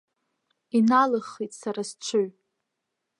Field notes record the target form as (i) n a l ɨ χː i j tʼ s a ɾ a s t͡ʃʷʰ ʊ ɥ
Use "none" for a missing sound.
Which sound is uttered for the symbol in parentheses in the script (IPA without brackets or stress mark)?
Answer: i